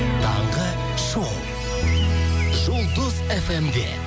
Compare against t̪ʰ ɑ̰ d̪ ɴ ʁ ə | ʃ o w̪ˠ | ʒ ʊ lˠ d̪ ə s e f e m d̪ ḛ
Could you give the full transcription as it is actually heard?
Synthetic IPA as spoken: t̪ʰ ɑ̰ ɴ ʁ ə | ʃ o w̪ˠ | ʒ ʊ lˠ d̪ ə z e f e m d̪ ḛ